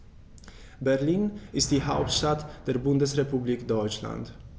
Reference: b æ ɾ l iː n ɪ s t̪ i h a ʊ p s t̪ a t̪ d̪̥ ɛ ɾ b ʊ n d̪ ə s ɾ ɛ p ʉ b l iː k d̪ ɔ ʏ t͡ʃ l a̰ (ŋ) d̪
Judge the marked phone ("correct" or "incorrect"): incorrect